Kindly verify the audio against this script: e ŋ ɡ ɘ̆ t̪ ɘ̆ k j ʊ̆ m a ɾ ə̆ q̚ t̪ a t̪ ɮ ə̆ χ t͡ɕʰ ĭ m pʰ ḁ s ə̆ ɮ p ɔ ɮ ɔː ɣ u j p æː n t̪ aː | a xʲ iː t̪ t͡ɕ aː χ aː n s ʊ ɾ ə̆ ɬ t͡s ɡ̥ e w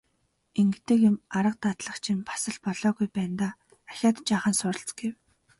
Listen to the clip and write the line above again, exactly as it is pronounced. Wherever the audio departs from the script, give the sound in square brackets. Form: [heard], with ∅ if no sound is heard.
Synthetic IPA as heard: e ŋ ɡ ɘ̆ t̪ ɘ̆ k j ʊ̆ m a ɾ ə̆ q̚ t̪ a t̪ ɮ ə̆ χ t͡ɕʰ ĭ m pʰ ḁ s ə̆ ɮ p ɔ ɮ ɔː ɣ u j p æː n t̪ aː | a xʲ [aː] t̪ t͡ɕ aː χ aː n s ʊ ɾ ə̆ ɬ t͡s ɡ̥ e w